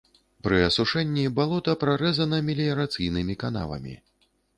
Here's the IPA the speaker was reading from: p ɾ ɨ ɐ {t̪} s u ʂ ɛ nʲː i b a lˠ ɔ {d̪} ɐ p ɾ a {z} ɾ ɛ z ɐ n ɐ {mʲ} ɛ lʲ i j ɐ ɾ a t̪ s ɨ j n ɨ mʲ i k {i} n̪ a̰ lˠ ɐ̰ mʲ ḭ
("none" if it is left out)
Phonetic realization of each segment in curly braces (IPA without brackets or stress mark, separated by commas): none, t̪, none, mʲ, a